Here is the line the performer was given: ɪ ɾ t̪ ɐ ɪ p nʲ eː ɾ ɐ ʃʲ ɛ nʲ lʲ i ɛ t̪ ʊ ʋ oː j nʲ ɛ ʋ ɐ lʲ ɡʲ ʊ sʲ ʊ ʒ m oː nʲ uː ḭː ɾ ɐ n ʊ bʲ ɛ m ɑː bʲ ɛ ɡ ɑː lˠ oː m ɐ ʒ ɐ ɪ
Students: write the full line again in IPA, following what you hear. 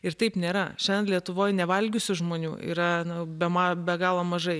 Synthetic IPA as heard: ɪ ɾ t̪ ɐ ɪ p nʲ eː ɾ ɐ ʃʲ ɛ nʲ lʲ i ɛ t̪ ʊ ʋ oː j nʲ ɛ ʋ ɐ lʲ ɡʲ ʊ sʲ ʊ ʒ m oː nʲ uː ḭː ɾ ɐ n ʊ bʲ ɛ m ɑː bʲ ɛ ɡ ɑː lˠ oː m ɐ ʒ ɐ ɪ

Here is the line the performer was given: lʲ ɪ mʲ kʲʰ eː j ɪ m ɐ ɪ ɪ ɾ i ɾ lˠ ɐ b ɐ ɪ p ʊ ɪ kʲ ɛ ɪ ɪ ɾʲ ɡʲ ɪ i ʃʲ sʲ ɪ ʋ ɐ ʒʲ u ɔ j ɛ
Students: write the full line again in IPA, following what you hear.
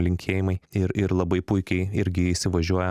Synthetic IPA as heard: lʲ ɪ ŋʲ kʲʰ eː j ɪ m ɐ ɪ ɪ ɾ ɪ ɾ lˠ ɐ b ɐ ɪ p ʊ ɪ kʲ ɛ ɪ ɪ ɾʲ ɡʲ ɪ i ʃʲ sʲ ɪ ʋ ɐ ʒʲ u ɔ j ɛ

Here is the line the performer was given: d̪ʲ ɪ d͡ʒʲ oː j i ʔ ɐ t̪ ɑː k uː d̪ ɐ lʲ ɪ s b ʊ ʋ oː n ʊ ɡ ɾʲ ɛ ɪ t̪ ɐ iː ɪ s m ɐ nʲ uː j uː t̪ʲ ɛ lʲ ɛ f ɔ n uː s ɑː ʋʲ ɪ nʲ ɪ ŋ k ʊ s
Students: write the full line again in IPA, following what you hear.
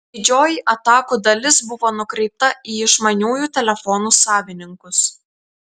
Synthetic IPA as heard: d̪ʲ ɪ d͡ʒʲ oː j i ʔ ɐ t̪ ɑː k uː d̪ ɐ lʲ ɪ s b ʊ ʋ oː n ʊ k ɾʲ ɛ ɪ t̪ ɐ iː ɪ ʃ m ɐ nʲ uː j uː t̪ʲ ɛ lʲ ɛ f ɔ n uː s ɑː ʋʲ ɪ nʲ ɪ ŋ k ʊ s

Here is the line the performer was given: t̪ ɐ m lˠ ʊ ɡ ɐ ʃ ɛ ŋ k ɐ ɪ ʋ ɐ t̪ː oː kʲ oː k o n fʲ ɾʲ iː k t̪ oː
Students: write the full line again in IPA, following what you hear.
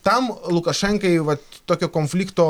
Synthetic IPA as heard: t̪ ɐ m lˠ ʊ k ɐ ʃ ɛ ŋ k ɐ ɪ ʋ ɐ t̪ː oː kʲ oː k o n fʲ lʲ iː k t̪ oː

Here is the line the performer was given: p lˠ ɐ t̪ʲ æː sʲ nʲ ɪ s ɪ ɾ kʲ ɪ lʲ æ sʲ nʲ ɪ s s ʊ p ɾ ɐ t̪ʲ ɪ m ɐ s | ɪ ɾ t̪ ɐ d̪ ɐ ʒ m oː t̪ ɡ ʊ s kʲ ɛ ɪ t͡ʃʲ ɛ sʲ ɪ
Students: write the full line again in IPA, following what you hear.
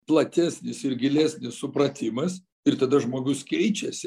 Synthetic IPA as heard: p lˠ ɐ t̪ʲ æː sʲ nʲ ɪ s ɪ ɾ ɡʲ ɪ lʲ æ sʲ nʲ ɪ s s ʊ p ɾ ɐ t̪ʲ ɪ m ɐ s | ɪ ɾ t̪ ɐ d̪ ɐ ʒ m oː ɡ ʊ s kʲ ɛ ɪ t͡ʃʲ ɛ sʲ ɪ

